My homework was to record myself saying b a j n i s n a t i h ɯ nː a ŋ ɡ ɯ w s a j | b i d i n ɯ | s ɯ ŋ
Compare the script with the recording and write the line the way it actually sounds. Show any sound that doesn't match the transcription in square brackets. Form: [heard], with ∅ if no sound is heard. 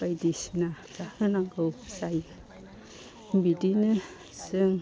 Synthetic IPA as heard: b a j [d] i s n a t [a] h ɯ [n] a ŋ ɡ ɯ w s a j | b i d i n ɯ | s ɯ ŋ